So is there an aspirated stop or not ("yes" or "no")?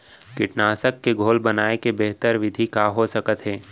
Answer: no